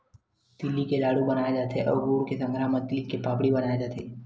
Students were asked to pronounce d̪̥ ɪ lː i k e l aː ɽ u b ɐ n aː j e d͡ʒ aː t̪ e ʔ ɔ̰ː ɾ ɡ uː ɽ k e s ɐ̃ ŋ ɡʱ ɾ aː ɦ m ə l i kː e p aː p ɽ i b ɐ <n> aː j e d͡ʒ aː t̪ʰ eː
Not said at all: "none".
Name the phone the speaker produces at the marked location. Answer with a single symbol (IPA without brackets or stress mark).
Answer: n